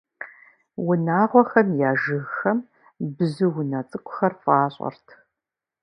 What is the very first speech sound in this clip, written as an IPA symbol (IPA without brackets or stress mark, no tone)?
w